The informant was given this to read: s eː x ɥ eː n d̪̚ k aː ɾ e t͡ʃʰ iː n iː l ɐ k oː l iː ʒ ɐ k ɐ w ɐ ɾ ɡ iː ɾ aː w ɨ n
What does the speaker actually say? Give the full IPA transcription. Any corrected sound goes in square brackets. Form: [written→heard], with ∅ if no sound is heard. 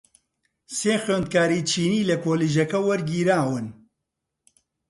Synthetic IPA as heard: s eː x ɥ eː n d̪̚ k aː ɾ [e→i] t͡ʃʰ iː n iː l ɐ k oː l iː ʒ ɐ k ɐ w ɐ ɾ ɡ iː ɾ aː w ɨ n